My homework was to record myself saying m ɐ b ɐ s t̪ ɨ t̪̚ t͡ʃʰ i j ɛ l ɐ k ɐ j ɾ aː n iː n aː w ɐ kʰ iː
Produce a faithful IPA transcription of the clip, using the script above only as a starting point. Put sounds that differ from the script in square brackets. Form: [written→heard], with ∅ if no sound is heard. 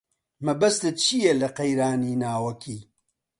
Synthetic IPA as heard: m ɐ b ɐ s t̪ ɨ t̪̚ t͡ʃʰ i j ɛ l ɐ [k→q] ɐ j ɾ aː n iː n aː w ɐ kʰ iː